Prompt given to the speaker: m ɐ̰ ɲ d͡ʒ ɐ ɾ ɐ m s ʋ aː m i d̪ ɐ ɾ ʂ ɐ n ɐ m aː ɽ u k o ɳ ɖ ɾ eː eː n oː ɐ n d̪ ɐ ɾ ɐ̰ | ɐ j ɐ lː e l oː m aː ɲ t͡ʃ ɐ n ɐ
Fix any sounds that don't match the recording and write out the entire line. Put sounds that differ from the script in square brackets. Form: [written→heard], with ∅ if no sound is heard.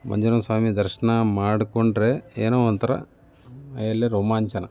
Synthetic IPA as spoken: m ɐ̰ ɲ d͡ʒ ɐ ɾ ɐ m s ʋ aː m i d̪ ɐ ɾ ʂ ɐ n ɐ m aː ɽ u k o ɳ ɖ ɾ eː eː n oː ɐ n [d̪→t̪] ɐ ɾ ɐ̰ | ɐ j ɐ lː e [l→ɾ] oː m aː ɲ t͡ʃ ɐ n ɐ